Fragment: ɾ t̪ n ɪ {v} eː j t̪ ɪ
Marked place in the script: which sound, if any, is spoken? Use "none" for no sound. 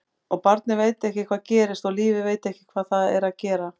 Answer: v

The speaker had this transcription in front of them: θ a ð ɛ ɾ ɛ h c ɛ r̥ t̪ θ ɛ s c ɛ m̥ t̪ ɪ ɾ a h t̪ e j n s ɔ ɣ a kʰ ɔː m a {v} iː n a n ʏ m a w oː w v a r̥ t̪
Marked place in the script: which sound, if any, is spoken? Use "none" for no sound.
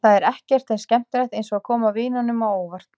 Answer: v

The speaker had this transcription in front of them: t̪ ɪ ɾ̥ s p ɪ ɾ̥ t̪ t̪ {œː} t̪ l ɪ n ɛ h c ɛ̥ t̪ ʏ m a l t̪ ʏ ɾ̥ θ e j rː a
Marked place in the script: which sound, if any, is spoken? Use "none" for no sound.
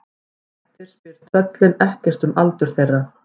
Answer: œ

